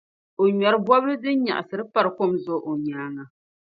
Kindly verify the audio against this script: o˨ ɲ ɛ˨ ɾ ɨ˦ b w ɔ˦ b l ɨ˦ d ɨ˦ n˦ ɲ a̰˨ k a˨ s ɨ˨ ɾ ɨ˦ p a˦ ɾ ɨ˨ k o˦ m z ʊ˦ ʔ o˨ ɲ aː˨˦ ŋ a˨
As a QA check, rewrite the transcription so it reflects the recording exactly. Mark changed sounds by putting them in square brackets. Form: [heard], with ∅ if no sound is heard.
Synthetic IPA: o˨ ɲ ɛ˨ ɾ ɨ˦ b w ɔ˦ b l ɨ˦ d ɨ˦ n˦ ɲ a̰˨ [ʔ] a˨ s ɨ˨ ɾ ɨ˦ p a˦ ɾ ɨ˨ k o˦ m z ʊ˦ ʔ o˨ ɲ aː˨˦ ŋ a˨